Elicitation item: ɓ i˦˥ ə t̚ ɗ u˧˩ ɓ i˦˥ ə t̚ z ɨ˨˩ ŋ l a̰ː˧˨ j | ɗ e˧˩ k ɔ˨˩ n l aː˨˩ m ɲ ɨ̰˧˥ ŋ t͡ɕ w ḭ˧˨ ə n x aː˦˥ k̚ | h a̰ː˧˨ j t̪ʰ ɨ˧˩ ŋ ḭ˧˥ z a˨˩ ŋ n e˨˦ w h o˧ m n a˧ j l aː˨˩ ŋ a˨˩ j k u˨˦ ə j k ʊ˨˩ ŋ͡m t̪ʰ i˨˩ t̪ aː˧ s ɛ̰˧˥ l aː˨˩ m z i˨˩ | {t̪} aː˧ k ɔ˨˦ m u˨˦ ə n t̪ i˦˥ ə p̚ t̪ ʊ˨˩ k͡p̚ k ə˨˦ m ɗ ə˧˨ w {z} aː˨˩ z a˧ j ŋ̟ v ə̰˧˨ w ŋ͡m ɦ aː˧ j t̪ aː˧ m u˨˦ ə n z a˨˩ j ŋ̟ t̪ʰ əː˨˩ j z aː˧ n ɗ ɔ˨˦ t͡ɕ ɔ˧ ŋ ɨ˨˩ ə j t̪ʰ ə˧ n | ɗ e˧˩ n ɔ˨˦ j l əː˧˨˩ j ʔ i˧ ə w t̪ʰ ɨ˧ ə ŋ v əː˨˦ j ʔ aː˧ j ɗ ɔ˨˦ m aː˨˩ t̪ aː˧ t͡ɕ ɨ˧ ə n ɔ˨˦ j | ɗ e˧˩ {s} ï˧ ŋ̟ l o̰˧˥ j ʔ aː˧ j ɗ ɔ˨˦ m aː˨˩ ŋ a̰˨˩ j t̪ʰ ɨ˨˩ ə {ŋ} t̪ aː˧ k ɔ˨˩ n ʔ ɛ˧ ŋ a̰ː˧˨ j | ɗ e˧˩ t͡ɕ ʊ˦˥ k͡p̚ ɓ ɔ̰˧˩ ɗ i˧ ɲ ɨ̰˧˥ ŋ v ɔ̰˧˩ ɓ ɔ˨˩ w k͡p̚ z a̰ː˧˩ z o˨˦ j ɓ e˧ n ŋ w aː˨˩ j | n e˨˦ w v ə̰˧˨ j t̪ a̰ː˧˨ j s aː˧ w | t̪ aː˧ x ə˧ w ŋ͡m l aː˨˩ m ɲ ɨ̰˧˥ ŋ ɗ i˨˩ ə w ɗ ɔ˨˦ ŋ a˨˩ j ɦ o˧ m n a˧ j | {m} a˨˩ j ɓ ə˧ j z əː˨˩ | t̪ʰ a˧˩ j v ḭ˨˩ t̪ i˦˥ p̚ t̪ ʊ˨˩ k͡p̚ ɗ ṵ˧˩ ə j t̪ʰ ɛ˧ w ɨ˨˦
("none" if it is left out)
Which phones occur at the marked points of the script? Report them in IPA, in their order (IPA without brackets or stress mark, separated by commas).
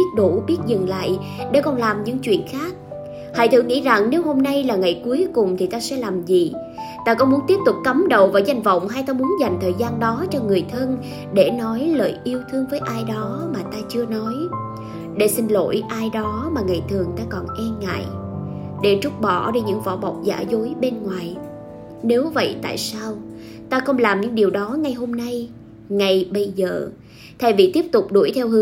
t̪, v, s, ŋ, ŋ